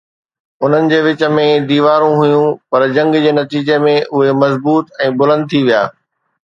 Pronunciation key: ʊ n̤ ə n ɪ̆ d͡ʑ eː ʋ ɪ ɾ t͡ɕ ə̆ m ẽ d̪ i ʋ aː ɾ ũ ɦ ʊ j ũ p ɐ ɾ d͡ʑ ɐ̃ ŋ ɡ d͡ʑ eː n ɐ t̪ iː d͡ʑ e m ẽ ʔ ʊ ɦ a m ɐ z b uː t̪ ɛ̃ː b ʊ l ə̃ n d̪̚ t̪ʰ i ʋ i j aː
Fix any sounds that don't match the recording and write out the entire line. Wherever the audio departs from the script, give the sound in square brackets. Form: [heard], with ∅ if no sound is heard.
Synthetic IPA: ʊ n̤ ə n ɪ̆ d͡ʑ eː ʋ ɪ [∅] t͡ɕ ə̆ m ẽ d̪ [iː] ʋ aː ɾ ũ ɦ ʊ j ũ p ɐ ɾ d͡ʑ ɐ̃ ŋ ɡ d͡ʑ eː n ɐ t̪ iː d͡ʑ e m ẽ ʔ ʊ ɦ [e] m ɐ z b uː t̪ ɛ̃ː b ʊ l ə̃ n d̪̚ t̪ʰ i ʋ i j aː